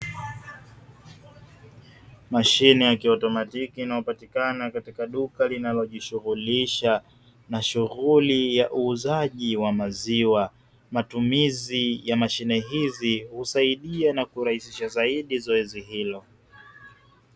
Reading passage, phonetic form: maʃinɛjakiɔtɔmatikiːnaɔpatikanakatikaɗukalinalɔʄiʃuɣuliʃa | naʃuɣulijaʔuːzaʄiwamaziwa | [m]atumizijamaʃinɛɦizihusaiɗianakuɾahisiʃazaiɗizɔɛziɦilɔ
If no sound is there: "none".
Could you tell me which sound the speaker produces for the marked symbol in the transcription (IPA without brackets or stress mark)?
m